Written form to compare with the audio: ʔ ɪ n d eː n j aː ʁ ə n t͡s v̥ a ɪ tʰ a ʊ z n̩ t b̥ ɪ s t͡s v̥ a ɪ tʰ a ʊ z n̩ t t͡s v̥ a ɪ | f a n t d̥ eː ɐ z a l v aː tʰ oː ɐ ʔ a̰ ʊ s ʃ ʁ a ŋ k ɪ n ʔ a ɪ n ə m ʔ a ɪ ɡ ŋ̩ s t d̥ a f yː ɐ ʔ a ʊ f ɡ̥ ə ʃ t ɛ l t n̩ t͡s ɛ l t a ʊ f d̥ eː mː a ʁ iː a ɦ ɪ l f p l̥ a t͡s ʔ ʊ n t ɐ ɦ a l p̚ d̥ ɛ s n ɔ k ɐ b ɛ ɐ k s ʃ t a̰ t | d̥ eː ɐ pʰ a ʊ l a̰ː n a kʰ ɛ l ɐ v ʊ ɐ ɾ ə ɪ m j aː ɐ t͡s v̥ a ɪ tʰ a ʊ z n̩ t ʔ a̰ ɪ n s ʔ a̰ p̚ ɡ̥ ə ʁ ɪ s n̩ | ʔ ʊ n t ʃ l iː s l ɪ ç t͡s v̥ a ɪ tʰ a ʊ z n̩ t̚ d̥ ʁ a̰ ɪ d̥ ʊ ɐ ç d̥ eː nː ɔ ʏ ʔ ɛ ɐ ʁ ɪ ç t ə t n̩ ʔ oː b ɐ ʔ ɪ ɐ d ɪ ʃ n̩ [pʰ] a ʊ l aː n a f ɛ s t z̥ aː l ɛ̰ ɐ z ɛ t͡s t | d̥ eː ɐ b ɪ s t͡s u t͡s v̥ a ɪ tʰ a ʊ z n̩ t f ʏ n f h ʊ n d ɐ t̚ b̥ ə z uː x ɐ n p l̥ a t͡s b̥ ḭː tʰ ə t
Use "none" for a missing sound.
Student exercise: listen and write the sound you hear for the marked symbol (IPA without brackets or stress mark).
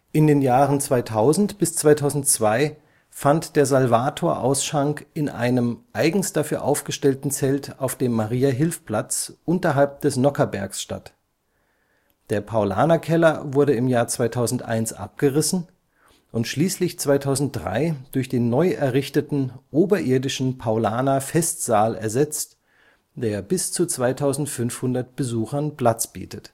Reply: pʰ